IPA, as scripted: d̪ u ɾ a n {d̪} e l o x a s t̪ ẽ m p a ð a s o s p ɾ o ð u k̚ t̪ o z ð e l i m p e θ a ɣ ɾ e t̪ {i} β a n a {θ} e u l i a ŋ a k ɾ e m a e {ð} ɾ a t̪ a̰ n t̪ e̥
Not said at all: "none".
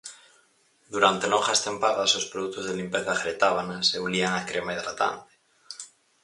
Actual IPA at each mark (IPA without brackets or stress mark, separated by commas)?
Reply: t̪, a, s, ð